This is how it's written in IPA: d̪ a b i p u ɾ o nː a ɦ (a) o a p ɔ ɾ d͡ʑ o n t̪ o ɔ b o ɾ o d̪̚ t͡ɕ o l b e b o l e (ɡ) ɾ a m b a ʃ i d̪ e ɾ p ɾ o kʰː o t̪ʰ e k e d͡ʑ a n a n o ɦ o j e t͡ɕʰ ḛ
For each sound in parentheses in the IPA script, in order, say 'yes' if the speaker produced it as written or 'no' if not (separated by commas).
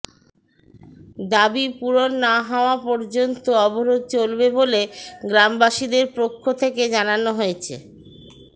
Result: yes, yes